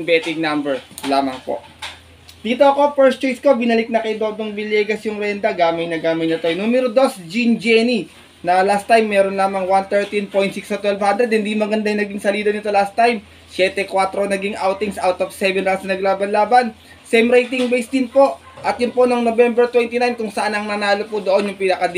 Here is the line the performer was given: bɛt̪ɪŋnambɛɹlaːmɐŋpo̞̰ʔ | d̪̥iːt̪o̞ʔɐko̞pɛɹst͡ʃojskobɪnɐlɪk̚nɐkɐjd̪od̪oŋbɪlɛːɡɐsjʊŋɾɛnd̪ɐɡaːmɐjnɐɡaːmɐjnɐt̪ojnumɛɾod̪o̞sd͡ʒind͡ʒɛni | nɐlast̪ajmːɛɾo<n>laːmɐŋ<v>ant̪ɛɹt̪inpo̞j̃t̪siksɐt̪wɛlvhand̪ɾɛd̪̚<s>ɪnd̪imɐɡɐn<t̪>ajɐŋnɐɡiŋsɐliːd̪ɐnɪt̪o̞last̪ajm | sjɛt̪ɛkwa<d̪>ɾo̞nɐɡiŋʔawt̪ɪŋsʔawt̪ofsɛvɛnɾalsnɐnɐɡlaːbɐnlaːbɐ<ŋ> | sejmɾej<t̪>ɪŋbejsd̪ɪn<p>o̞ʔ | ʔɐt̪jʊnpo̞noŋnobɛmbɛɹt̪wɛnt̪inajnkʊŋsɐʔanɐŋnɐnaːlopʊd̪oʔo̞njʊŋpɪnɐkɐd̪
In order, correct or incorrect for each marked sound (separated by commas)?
correct, incorrect, incorrect, incorrect, incorrect, incorrect, correct, correct